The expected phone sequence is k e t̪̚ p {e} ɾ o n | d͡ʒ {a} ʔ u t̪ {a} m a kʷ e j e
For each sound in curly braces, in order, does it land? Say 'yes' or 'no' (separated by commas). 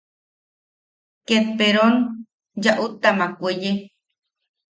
yes, yes, yes